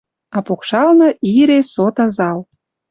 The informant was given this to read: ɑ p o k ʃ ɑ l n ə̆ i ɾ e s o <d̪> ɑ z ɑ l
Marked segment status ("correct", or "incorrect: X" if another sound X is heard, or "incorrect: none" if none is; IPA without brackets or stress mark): incorrect: t̪